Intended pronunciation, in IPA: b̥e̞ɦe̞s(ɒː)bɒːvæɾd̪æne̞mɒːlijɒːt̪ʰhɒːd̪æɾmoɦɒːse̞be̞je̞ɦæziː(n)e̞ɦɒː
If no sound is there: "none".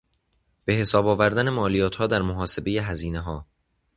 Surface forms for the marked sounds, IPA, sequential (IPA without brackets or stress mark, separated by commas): ɒː, n